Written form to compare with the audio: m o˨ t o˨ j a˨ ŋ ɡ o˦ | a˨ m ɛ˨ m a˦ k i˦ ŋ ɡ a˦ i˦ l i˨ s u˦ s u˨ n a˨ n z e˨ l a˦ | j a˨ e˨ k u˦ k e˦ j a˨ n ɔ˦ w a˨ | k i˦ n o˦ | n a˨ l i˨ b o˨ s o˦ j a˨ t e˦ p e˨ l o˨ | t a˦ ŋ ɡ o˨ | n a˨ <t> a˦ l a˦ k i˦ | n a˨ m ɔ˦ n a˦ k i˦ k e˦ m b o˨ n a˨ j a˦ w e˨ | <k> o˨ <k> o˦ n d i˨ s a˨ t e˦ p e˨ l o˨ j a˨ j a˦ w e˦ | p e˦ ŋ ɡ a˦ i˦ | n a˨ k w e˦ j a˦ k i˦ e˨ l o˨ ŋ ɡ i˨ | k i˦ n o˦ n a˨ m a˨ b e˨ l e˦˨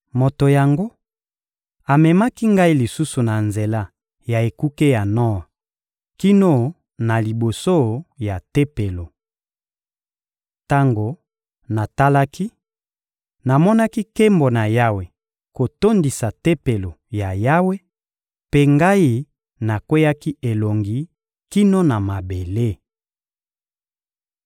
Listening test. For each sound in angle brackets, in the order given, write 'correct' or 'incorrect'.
correct, correct, incorrect: t

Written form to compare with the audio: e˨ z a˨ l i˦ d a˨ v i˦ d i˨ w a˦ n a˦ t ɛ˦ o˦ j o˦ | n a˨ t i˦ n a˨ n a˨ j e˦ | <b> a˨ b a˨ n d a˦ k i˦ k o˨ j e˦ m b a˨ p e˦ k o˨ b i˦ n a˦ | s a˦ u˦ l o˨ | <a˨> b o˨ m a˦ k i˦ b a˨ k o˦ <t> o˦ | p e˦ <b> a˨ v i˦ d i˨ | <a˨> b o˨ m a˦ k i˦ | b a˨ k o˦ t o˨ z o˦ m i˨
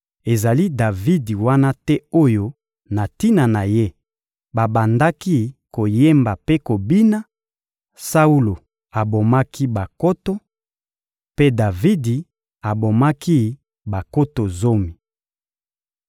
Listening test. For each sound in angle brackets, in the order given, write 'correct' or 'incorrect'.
correct, correct, correct, incorrect: d, correct

